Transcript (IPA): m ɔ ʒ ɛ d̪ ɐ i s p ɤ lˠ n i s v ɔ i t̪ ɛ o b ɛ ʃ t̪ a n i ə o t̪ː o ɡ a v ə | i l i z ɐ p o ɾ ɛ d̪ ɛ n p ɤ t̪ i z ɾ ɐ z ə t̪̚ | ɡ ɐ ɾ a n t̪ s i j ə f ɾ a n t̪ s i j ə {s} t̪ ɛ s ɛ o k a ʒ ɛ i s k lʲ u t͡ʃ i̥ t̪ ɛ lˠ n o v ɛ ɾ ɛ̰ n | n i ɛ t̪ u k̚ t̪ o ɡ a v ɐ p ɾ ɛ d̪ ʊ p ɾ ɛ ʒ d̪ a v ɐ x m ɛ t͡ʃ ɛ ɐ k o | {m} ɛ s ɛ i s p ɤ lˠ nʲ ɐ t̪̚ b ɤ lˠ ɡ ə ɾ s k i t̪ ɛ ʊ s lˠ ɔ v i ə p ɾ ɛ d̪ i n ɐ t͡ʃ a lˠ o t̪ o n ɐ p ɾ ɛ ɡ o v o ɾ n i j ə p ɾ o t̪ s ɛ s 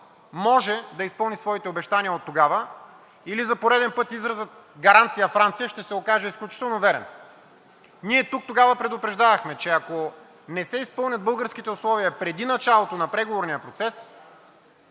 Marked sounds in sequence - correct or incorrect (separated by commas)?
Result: incorrect, incorrect